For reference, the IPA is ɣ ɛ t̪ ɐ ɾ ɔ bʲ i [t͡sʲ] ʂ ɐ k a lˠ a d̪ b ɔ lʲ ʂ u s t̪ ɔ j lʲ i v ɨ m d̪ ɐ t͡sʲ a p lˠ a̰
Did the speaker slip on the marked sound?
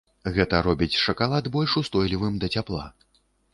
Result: no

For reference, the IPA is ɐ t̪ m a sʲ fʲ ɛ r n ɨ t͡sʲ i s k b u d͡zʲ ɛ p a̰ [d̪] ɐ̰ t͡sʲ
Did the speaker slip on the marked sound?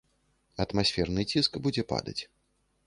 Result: no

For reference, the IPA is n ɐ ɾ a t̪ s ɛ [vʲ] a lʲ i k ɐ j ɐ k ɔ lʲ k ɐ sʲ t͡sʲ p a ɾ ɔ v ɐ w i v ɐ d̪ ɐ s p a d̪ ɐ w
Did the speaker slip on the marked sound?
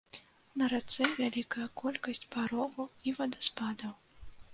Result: no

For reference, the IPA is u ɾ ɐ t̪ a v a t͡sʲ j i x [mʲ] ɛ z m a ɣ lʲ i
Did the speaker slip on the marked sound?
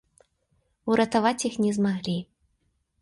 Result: yes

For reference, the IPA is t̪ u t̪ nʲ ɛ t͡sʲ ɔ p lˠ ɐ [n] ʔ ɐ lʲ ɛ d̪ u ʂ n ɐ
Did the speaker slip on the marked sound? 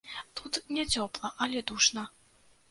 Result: yes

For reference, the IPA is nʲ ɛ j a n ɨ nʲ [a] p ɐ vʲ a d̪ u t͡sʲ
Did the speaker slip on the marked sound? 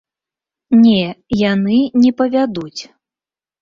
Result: yes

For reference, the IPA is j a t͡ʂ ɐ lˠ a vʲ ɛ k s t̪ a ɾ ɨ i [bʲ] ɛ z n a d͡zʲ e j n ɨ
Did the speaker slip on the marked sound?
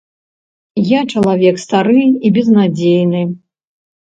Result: no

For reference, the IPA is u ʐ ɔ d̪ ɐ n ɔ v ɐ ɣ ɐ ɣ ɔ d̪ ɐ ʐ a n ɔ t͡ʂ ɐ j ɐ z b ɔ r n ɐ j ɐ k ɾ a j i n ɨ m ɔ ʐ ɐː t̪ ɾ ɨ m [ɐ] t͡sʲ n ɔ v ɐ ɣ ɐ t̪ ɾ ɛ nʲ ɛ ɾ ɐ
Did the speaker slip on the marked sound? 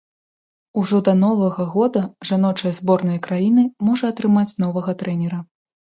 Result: yes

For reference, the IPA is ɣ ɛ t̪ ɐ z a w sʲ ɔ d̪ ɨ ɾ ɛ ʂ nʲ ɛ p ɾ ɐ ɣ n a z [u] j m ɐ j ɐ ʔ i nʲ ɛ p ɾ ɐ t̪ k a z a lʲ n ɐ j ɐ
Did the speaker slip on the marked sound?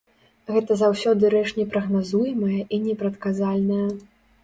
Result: no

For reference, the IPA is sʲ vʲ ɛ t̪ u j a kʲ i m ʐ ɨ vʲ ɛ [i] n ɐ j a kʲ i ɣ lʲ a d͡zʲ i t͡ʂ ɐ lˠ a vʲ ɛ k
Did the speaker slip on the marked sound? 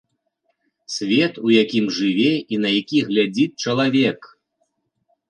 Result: no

